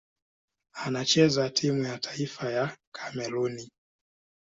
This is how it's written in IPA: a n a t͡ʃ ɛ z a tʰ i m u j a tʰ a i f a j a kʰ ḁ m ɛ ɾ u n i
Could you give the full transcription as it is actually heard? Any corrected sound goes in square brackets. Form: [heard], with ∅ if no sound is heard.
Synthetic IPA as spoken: a n a t͡ʃ ɛ z a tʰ i m u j a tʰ a i f a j a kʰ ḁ m ɛ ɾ u n i